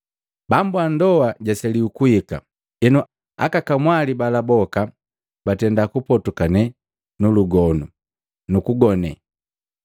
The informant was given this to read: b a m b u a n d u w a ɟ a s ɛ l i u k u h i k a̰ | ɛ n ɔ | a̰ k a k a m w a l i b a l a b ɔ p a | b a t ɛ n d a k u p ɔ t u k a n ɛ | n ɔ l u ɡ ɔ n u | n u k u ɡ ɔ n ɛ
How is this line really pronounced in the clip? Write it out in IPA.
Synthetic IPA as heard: b a m b u a n d ɔ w a ɟ a s ɛ l i u k u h i k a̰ | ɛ n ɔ | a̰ k a k a m w a l i b a l a b ɔ k a | b a t ɛ n d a k u p ɔ t u k a n ɛ | n u l u ɡ ɔ n u | n u k u ɡ ɔ n ɛ